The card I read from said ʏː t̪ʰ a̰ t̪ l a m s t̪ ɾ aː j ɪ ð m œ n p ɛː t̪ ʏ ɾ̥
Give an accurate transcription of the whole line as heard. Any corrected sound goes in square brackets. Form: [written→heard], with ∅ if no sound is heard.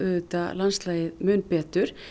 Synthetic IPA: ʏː [t̪ʰ→t̪] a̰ [t̪→∅] l a [m→n] s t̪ [ɾ→l] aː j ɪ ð m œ n p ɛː t̪ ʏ ɾ̥